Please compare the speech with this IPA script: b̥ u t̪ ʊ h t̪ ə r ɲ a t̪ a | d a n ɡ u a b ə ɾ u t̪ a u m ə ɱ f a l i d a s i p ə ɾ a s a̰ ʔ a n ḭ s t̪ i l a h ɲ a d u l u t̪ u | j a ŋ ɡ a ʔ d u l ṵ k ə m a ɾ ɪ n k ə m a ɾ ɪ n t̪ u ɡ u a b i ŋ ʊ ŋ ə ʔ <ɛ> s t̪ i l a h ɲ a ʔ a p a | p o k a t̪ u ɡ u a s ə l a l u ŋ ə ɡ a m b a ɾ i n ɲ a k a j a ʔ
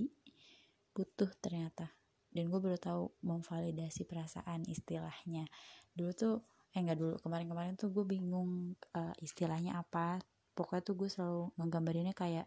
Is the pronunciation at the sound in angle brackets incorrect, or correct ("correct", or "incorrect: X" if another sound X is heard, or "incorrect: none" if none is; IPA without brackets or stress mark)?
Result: incorrect: i